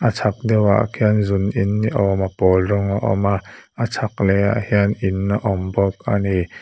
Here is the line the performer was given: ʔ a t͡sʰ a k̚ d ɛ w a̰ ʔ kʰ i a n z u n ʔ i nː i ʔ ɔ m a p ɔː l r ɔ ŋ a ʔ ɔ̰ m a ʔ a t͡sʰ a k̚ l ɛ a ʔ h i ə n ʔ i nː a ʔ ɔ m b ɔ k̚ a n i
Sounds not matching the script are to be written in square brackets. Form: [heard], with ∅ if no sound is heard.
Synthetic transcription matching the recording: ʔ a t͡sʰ a k̚ d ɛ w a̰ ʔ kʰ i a n z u n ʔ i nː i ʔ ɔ m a p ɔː l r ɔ ŋ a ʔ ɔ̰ m a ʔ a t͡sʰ a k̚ l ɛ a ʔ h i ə n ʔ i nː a ʔ ɔ m b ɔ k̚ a n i